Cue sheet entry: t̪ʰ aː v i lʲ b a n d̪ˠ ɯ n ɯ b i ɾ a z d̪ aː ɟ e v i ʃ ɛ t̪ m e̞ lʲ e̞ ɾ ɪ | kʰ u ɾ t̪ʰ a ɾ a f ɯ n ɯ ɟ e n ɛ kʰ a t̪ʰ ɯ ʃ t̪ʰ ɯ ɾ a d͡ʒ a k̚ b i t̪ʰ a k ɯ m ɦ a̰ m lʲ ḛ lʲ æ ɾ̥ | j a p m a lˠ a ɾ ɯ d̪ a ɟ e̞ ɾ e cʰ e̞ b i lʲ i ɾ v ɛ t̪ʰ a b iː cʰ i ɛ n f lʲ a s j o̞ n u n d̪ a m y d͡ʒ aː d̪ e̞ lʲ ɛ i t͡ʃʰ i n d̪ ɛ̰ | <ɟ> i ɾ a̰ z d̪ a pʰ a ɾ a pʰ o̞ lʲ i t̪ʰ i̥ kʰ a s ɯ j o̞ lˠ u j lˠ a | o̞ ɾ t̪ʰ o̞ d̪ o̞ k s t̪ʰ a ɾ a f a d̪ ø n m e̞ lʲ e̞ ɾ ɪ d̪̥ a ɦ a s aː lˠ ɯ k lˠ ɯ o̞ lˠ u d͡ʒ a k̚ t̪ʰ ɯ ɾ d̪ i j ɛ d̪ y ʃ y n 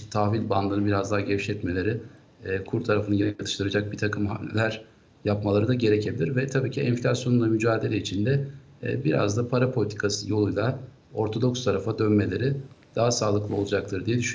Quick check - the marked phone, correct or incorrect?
incorrect